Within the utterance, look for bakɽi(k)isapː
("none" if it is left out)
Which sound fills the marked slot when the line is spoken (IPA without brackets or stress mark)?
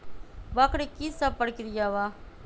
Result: k